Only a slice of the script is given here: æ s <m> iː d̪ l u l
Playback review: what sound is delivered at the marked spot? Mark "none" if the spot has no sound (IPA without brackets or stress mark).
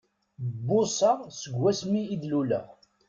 m